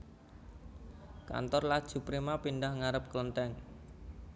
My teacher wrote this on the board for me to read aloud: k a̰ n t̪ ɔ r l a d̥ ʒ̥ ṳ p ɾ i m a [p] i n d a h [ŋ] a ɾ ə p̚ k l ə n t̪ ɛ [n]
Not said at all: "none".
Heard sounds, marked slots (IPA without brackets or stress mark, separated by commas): p, ŋ, ŋ